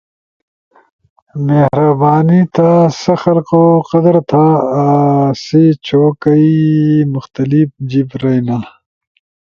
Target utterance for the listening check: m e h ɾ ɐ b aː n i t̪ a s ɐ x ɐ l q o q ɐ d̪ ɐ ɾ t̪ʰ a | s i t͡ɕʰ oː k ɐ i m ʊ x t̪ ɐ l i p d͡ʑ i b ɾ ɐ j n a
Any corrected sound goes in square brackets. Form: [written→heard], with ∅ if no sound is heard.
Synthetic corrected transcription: m e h ɾ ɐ b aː n i t̪ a s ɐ x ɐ l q o q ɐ d̪ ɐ ɾ t̪ʰ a | s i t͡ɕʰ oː k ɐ i m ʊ x t̪ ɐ l i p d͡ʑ i b ɾ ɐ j n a